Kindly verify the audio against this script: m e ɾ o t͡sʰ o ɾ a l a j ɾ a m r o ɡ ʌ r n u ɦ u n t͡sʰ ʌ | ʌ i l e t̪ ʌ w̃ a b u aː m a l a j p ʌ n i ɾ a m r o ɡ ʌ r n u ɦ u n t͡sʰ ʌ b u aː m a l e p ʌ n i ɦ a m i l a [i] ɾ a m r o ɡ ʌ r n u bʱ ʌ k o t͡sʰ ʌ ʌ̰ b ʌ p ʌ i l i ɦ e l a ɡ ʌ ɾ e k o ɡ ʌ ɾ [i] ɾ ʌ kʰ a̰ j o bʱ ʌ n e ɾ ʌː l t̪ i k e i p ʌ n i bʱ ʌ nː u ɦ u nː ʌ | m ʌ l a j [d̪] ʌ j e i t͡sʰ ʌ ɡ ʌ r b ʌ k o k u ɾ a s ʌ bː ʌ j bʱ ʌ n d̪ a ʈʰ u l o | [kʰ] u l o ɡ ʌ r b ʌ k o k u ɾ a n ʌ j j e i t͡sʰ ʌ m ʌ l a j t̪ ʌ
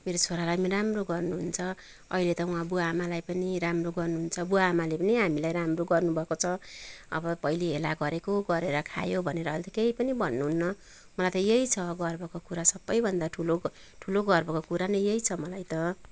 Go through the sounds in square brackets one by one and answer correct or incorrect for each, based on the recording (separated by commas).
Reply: incorrect, incorrect, incorrect, incorrect